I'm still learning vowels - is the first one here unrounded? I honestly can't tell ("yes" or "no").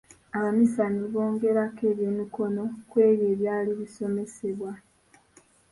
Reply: yes